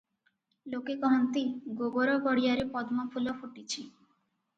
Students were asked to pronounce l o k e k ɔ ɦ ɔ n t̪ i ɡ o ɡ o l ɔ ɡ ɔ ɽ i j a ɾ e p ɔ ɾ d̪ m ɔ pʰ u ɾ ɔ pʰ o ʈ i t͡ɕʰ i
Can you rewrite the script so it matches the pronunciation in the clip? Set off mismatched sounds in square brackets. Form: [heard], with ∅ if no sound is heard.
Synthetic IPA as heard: l o k e k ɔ ɦ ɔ n t̪ i ɡ o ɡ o [ɾ] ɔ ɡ ɔ ɽ i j a ɾ e p ɔ [∅] d̪ m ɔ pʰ u [l] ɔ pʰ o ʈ i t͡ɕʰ i